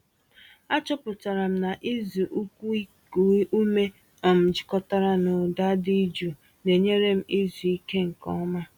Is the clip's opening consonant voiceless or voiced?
voiceless